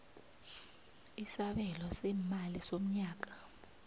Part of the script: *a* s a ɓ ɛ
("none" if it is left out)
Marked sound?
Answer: i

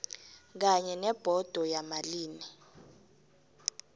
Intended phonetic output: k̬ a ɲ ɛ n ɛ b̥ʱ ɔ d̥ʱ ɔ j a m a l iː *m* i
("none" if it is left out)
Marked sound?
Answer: n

